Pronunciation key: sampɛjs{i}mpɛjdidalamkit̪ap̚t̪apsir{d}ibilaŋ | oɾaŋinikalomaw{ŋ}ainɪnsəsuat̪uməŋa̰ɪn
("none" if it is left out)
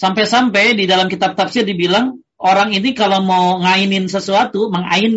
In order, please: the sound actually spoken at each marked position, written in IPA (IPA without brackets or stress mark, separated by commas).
a, d, ŋ